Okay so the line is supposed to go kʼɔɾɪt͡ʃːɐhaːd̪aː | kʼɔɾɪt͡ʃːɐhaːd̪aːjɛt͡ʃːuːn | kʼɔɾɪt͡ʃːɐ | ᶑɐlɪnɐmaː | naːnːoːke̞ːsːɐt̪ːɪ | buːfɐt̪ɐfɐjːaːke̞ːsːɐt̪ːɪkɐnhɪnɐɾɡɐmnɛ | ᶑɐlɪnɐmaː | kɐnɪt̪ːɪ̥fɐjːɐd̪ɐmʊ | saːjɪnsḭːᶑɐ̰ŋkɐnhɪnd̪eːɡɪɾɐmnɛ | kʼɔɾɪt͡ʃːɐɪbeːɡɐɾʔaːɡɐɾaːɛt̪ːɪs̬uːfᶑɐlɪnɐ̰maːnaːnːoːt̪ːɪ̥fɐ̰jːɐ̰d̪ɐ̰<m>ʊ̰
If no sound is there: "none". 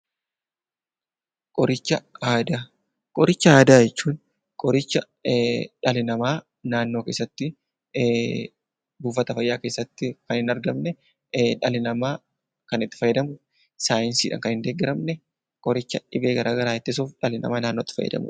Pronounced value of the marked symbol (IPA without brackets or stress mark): m